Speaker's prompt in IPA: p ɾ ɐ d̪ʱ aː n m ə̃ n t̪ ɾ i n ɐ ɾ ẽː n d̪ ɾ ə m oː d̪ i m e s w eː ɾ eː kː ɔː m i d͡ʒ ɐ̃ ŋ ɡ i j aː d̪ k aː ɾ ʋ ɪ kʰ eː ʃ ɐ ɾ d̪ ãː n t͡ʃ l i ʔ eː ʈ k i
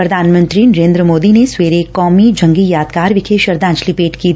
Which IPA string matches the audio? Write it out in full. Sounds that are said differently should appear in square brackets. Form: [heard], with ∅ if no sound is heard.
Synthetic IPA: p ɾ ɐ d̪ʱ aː n m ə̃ n t̪ ɾ i n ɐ ɾ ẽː n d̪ ɾ ə m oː d̪ i [n] e s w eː ɾ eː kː ɔː m i d͡ʒ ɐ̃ ŋ ɡ i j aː d̪ k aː ɾ ʋ ɪ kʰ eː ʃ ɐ ɾ d̪ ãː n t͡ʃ l i [p] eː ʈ k i